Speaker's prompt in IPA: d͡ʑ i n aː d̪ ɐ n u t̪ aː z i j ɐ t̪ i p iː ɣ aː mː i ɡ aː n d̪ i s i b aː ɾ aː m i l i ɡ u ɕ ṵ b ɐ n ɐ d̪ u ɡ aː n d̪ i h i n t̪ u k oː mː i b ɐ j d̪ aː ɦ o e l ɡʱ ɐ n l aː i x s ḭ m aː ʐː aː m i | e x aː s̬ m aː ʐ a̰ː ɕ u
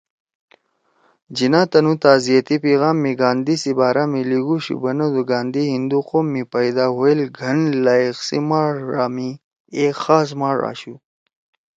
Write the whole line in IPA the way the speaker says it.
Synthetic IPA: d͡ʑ i n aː t̪ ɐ n u t̪ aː z i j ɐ t̪ i p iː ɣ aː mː i ɡ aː n d̪ i s i b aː ɾ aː m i l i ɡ u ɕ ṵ b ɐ n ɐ d̪ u ɡ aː n d̪ i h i n d̪ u q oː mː i p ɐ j d̪ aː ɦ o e l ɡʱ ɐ n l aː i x s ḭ m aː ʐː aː m i | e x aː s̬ m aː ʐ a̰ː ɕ u